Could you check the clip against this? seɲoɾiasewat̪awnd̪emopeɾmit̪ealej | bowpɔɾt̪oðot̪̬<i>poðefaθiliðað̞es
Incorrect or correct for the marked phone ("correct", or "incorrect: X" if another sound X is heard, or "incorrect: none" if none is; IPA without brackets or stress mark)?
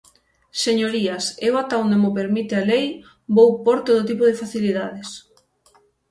correct